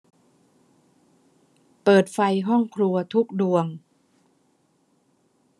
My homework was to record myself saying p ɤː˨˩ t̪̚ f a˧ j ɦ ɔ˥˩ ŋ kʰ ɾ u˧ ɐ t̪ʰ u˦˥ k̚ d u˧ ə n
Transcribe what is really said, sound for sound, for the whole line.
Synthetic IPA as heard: p ɤː˨˩ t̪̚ f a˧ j ɦ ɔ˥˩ ŋ kʰ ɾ u˧ ɐ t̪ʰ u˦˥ k̚ d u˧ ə ŋ